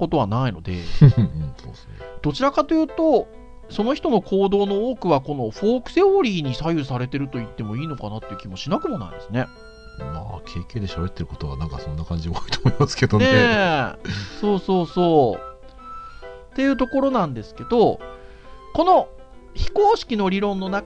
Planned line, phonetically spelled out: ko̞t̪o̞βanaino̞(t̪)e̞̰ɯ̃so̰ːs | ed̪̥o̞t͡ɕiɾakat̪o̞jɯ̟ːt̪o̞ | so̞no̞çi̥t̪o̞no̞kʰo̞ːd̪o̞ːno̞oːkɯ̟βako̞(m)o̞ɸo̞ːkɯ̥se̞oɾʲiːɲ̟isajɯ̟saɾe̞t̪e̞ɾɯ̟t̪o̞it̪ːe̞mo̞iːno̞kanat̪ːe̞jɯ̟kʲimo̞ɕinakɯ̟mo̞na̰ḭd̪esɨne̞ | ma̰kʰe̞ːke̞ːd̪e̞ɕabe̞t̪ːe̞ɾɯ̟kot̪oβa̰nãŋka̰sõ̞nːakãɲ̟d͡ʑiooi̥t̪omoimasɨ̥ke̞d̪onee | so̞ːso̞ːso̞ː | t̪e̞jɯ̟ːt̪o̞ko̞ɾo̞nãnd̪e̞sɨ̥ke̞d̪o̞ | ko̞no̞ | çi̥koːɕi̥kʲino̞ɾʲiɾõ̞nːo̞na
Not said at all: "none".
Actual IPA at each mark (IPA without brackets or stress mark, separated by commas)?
d̪, n